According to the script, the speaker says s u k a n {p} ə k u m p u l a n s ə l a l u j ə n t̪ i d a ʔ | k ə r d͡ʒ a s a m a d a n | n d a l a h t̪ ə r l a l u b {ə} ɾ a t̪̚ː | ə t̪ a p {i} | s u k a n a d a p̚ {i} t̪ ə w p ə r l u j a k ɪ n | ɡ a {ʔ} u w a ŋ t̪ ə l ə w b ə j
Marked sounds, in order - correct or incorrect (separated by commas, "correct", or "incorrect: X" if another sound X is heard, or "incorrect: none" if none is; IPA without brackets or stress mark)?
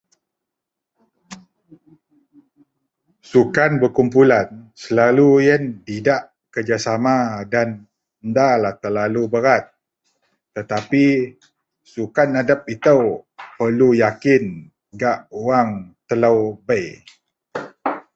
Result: incorrect: b, correct, correct, correct, correct